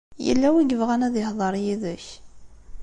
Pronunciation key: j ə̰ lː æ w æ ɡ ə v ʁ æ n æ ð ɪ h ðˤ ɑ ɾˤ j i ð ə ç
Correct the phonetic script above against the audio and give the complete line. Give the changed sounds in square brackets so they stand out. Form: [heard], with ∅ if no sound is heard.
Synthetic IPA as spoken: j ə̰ lː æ w [i] ɡ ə v ʁ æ n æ ð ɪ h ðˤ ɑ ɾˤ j i ð ə ç